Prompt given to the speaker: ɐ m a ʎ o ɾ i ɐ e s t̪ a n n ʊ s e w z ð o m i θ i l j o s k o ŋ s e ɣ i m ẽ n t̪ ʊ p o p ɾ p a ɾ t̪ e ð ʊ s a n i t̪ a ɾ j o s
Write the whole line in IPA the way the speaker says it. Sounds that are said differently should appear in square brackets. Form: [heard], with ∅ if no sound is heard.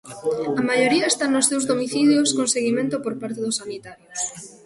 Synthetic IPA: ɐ m a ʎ o ɾ i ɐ e s t̪ a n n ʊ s e w z ð o m i θ i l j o s k o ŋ s e ɣ i m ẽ n t̪ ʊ p o [∅] ɾ p a ɾ t̪ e ð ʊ s a n i t̪ a ɾ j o s